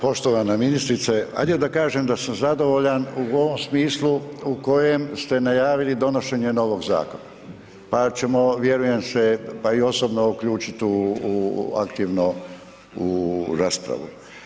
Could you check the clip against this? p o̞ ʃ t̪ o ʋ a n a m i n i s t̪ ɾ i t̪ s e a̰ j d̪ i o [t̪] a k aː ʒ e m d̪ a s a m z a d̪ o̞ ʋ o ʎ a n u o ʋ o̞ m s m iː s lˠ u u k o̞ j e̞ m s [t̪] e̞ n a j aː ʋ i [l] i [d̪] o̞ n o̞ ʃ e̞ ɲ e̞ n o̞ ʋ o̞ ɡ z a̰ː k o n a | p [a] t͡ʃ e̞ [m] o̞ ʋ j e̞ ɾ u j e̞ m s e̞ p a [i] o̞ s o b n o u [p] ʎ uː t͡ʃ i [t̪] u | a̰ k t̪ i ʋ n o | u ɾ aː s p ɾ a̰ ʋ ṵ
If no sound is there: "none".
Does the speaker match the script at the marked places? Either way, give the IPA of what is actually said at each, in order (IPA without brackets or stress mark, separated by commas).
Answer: d̪, t̪, l, d̪, a, m, i, k, t̪